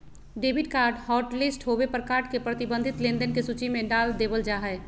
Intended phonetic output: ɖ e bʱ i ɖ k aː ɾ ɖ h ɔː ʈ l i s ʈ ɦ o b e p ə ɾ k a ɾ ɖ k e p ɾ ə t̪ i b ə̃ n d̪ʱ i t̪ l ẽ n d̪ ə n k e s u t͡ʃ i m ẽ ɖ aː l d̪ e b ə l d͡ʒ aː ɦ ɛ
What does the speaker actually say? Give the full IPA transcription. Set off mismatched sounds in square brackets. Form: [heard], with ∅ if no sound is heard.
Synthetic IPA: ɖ e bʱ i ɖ k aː ɾ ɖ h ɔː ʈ l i s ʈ ɦ o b e p ə ɾ k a ɾ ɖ k e p ɾ ə t̪ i b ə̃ n d̪ʱ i t̪ l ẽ n d̪ ə n k e s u t͡ʃ i m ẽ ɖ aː l d̪ e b ə l d͡ʒ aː ɦ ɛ